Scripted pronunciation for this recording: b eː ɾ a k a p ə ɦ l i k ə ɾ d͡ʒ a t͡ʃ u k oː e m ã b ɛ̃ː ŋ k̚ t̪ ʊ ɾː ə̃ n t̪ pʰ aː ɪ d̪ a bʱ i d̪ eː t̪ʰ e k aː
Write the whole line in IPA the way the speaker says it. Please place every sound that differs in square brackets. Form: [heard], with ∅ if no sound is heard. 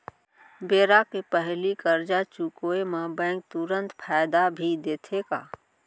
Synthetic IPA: b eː ɾ a k [e] p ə ɦ l i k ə ɾ d͡ʒ a t͡ʃ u k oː e m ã b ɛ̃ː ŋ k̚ t̪ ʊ [ɾ] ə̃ n t̪ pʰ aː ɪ d̪ a bʱ i d̪ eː t̪ʰ e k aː